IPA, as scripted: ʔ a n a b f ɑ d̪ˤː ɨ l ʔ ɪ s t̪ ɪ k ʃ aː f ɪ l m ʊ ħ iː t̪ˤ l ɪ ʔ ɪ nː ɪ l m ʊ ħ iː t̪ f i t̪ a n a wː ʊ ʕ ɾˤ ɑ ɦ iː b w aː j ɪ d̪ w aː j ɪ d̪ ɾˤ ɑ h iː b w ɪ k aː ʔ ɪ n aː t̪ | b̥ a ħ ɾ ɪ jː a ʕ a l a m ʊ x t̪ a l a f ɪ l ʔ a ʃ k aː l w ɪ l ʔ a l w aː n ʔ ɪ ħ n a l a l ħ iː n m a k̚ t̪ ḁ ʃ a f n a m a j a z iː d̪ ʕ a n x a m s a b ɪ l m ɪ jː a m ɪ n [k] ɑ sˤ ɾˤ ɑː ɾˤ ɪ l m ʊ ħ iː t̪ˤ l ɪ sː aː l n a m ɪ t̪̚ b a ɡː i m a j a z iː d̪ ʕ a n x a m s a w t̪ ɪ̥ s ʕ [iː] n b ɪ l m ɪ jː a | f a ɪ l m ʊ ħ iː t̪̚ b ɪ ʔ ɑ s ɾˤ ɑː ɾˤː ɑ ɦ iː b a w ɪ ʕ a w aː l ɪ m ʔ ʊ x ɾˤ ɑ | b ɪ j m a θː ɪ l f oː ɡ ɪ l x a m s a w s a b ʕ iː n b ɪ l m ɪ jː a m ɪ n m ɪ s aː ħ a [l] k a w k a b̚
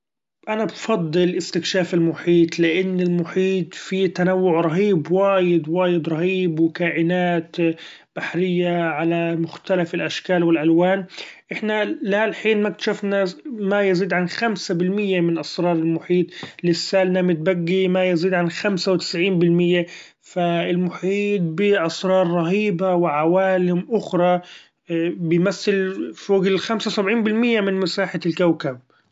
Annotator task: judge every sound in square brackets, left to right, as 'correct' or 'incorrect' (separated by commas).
incorrect, correct, correct